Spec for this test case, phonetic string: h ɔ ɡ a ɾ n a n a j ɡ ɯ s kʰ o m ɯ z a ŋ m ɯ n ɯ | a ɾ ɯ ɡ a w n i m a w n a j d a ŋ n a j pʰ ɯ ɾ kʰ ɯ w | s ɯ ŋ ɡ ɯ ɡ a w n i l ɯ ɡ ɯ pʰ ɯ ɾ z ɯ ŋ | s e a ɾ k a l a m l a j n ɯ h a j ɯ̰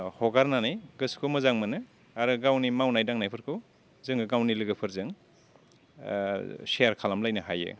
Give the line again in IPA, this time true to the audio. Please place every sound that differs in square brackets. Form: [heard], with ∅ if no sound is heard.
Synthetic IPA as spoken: h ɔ ɡ a ɾ n a n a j ɡ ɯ s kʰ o m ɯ z a ŋ m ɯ n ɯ | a ɾ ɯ ɡ a w n i m a w n a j d a ŋ n a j pʰ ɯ ɾ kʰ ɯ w | [z] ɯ ŋ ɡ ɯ ɡ a w n i l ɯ ɡ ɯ pʰ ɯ ɾ z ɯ ŋ | s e a ɾ [kʰ] a l a m l a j n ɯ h a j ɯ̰